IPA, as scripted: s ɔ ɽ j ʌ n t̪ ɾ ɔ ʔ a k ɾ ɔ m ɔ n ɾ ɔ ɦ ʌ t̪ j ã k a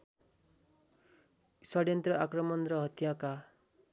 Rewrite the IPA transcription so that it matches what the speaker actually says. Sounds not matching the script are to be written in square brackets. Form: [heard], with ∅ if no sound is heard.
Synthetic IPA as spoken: s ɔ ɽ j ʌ n t̪ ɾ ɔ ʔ a k ɾ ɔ m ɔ n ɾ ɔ ɦ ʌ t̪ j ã k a